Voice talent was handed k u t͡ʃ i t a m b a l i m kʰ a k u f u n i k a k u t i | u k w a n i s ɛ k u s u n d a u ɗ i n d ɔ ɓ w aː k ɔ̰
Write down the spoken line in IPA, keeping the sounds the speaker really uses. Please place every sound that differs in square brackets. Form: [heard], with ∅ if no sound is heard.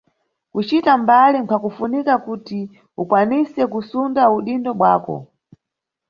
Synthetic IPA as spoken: k u t͡ʃ i t a m b a l i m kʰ a k u f u n i k a k u t i | u k w a n i s ɛ k u s u n d a u ɗ i n d ɔ ɓ w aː k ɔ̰